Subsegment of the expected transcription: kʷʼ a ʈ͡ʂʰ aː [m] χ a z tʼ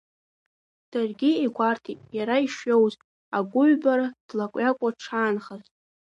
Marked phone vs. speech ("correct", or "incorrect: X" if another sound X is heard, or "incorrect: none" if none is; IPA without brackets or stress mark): incorrect: n